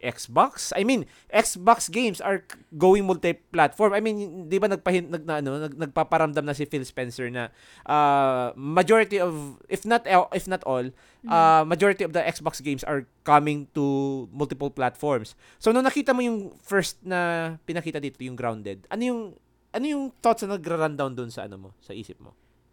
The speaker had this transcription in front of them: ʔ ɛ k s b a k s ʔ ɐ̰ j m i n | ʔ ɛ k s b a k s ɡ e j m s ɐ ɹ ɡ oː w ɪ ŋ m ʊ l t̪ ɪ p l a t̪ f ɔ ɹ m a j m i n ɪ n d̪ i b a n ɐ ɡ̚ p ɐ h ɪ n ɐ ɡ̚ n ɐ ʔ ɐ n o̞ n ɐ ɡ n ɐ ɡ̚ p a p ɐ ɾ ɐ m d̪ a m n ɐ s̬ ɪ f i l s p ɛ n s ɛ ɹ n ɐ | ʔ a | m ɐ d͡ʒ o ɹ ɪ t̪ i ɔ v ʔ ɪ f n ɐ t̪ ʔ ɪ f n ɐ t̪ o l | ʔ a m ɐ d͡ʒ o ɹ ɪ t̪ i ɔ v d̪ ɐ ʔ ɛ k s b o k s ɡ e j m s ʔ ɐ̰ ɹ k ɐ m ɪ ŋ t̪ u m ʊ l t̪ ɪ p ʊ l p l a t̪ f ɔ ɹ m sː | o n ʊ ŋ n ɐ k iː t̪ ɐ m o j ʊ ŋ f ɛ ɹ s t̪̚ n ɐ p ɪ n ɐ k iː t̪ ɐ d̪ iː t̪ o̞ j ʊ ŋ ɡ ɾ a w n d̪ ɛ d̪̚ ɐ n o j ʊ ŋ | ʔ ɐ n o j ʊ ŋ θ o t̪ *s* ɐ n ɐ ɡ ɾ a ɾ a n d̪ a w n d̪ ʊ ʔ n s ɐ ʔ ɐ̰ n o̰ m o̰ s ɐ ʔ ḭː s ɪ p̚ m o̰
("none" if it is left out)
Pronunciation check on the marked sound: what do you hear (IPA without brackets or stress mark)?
s